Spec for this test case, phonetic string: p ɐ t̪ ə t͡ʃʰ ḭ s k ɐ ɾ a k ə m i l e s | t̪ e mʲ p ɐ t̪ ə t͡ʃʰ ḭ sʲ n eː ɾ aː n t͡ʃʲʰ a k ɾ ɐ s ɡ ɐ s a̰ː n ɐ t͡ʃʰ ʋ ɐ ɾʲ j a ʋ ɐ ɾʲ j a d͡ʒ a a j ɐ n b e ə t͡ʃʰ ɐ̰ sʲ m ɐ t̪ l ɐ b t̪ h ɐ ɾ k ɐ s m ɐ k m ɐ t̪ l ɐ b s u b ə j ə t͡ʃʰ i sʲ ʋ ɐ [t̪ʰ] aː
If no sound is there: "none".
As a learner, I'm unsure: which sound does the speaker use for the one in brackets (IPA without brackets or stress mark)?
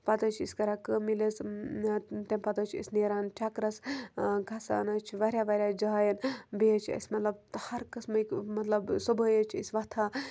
t̪ʰ